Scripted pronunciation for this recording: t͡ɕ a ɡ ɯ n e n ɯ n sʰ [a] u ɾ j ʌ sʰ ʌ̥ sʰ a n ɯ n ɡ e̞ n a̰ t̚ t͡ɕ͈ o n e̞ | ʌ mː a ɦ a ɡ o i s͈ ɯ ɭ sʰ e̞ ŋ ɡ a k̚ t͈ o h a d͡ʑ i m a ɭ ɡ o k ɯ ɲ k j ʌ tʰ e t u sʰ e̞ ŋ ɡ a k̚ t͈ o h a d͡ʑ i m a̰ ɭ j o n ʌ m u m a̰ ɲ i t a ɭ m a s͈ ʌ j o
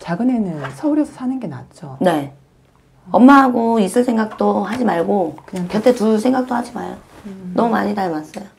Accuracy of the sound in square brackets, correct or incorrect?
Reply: incorrect